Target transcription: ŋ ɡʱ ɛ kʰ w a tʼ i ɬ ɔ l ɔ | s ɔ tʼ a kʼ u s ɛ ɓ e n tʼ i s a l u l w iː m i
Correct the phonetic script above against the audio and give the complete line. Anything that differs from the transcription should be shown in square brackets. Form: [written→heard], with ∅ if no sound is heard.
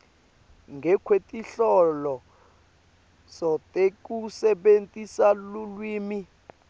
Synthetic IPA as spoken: ŋ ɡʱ ɛ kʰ w [a→e] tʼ i ɬ ɔ l ɔ | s ɔ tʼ [a→e] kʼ u s ɛ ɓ e n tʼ i s a l u l w iː m i